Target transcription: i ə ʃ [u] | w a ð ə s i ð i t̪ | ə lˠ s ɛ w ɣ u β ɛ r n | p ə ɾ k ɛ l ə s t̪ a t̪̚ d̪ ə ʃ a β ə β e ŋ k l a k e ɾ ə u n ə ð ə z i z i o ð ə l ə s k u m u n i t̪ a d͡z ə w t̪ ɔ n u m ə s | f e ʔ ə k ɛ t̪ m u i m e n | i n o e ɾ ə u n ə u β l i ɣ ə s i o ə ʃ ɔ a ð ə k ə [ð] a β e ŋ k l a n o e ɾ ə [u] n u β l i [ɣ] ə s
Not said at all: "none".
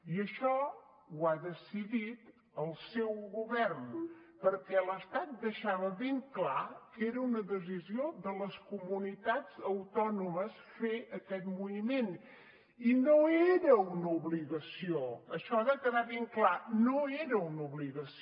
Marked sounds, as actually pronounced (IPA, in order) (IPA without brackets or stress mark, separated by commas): ɔ, ð, u, ɣ